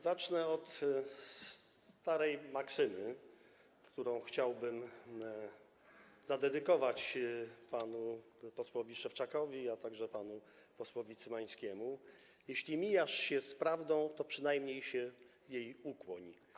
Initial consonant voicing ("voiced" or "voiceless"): voiced